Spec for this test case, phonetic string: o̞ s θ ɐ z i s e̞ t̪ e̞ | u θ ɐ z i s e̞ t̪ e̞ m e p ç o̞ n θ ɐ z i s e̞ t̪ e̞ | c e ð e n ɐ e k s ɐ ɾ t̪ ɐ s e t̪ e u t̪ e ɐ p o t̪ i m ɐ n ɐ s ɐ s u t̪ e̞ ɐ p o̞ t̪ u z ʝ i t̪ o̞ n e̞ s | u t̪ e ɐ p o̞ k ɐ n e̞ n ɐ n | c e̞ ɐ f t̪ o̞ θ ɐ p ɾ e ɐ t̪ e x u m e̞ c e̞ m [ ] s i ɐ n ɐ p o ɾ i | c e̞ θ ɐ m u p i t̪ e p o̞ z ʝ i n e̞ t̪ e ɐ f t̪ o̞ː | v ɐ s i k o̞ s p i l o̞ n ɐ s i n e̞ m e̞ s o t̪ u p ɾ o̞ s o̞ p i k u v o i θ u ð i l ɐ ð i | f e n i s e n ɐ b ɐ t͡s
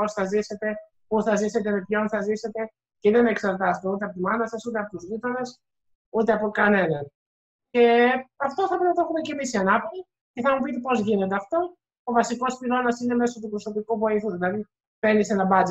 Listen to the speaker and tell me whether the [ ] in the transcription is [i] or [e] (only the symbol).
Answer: i